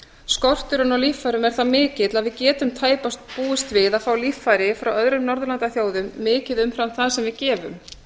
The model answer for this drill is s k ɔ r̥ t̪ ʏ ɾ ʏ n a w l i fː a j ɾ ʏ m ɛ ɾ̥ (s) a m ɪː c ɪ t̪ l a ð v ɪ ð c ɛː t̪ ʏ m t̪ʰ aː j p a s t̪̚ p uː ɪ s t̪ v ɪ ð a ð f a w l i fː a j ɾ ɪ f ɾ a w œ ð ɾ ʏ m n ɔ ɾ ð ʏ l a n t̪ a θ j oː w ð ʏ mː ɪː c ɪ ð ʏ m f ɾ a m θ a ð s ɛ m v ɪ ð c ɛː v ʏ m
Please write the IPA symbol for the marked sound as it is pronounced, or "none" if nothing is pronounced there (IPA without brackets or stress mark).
θ